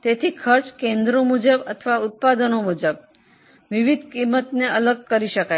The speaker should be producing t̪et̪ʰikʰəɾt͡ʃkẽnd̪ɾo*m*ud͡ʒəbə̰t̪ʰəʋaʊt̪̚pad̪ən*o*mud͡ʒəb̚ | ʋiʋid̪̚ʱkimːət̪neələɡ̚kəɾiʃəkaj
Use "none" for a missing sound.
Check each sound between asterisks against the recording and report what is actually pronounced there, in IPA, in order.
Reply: m, o

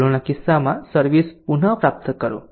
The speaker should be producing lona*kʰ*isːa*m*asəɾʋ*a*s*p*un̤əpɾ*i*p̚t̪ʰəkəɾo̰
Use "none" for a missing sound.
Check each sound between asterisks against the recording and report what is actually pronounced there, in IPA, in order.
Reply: k, m, i, p, a

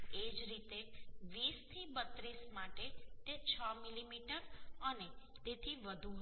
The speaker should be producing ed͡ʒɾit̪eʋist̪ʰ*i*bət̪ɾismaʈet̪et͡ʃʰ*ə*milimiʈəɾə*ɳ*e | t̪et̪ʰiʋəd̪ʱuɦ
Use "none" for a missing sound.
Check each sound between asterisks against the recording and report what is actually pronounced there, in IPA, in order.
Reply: i, ə, n

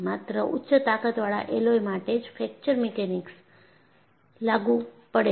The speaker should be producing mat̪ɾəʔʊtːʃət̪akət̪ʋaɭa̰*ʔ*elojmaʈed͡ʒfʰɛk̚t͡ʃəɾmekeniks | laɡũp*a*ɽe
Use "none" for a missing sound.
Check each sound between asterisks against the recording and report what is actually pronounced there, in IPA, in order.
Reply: ʔ, ə

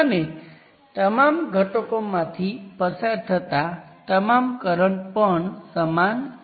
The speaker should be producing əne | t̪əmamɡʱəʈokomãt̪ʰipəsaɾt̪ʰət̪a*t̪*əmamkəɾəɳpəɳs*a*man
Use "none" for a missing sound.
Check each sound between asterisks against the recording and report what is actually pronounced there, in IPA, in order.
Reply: t̪, ə

